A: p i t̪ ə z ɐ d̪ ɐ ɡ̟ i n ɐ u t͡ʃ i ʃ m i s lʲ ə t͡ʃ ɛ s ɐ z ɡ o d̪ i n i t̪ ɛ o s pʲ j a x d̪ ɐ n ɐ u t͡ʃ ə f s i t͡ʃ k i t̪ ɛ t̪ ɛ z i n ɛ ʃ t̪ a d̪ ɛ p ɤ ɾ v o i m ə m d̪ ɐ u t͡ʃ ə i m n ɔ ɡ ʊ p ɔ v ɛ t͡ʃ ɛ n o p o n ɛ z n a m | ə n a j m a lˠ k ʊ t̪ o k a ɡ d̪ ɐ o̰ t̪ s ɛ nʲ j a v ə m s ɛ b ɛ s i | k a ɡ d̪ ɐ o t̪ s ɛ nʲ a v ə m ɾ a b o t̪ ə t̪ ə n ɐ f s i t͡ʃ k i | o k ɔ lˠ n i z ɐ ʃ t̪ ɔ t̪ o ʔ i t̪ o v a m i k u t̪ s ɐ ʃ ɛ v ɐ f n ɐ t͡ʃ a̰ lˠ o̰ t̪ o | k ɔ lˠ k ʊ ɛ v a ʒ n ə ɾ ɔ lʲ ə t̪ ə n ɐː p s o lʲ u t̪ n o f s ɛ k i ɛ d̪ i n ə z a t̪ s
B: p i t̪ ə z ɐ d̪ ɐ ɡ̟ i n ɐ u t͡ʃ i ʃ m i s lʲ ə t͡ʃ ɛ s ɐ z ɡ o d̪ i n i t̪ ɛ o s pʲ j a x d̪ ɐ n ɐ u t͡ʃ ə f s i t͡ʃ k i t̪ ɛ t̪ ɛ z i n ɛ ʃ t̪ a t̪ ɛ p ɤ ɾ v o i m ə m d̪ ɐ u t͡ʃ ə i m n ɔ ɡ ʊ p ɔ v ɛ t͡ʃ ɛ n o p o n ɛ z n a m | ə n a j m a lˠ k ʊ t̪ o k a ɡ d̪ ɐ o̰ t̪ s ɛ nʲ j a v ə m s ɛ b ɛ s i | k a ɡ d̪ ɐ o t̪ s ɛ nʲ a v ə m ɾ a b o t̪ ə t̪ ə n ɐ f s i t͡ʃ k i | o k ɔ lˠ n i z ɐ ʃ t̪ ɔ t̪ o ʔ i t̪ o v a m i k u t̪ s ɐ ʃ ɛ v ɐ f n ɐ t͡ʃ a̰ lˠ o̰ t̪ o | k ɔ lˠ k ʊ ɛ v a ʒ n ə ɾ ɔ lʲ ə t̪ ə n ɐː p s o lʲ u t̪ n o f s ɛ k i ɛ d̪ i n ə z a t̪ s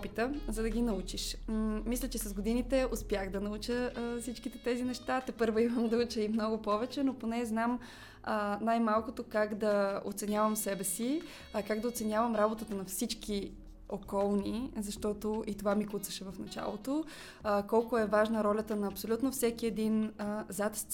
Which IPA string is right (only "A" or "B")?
B